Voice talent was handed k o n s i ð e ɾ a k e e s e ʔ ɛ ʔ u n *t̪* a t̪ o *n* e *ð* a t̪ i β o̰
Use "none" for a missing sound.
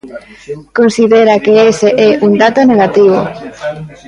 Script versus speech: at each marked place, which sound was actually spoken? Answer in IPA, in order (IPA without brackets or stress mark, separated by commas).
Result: d̪, n, ɣ